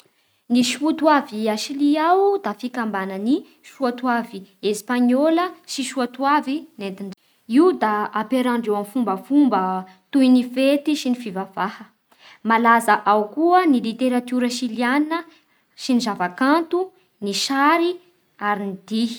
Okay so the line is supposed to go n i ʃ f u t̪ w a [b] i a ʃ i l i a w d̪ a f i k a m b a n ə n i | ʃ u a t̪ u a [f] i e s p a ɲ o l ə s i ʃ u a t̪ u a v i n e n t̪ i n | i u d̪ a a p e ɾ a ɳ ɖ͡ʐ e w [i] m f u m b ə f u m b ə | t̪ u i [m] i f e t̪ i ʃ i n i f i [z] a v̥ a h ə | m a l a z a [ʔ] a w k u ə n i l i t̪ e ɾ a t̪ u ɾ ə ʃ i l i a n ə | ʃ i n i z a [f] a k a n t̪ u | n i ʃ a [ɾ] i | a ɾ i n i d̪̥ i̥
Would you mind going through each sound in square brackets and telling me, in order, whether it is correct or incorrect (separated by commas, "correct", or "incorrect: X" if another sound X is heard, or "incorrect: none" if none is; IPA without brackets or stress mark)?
incorrect: v, incorrect: v, incorrect: a, incorrect: n, incorrect: v, correct, incorrect: v, correct